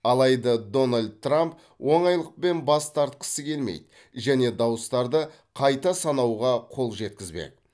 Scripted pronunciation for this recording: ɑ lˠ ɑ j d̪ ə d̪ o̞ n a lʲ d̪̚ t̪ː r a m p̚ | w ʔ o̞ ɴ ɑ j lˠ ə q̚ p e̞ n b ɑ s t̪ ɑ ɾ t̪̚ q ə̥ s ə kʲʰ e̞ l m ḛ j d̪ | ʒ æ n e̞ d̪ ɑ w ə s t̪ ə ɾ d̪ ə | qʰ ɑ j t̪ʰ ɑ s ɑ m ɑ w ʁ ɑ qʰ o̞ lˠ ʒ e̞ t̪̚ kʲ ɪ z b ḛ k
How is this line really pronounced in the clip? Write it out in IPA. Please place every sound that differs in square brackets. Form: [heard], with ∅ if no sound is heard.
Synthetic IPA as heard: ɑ lˠ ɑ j d̪ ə d̪ o̞ n a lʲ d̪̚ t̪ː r a m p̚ | w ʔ o̞ ɴ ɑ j lˠ ə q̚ p e̞ n b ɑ s t̪ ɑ ɾ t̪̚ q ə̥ s ə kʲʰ e̞ l m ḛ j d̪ | ʒ æ n e̞ d̪ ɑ w ə s t̪ [ɑ] ɾ d̪ ə | qʰ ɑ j [t̪] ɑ s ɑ [n] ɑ w ʁ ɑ qʰ o̞ lˠ ʒ e̞ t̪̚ kʲ ɪ z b ḛ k